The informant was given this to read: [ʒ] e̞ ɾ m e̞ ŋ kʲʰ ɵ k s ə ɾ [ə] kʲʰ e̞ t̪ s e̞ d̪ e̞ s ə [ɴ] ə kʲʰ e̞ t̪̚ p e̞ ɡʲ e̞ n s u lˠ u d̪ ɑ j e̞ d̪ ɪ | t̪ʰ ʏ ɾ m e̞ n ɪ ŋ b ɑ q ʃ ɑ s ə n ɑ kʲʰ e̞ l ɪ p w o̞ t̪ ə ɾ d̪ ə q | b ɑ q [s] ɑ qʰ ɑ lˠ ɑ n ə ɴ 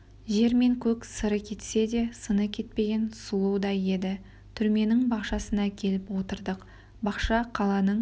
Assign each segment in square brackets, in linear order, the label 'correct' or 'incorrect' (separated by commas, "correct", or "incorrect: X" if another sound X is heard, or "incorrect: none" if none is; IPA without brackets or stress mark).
correct, correct, incorrect: n, incorrect: ʃ